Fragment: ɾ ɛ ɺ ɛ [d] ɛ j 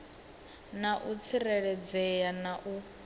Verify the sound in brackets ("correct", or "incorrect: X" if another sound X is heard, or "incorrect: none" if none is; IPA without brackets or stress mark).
incorrect: d͡z